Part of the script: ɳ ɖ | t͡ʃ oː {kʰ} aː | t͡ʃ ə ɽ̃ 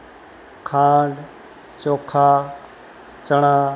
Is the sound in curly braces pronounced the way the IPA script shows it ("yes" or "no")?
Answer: yes